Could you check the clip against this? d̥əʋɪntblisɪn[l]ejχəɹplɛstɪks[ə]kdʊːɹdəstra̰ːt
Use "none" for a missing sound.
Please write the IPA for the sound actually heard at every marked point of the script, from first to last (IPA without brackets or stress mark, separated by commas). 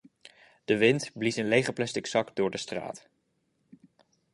l, ɑ